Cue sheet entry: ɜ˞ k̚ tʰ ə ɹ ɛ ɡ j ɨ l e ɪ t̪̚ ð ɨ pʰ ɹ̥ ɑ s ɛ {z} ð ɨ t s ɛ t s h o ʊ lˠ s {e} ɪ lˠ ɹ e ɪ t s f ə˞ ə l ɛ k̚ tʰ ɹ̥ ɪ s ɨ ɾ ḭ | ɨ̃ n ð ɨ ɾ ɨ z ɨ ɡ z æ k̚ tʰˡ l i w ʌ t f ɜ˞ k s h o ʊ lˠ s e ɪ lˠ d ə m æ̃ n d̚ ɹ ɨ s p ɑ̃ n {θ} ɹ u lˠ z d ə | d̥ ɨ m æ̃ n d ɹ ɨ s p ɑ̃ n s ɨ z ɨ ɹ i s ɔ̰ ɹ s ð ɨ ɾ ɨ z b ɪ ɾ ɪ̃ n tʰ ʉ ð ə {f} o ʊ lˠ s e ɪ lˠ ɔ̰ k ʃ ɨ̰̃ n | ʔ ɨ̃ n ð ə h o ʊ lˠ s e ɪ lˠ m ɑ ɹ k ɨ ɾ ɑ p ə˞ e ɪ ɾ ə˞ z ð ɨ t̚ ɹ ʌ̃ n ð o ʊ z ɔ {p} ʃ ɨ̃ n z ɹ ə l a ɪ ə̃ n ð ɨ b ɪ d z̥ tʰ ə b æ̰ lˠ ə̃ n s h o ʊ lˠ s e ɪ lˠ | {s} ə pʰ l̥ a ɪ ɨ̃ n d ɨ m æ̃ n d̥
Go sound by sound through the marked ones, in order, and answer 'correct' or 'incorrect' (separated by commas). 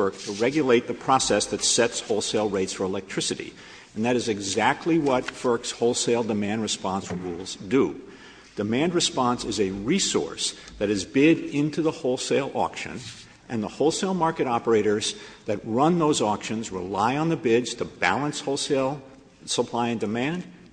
incorrect, correct, incorrect, incorrect, incorrect, correct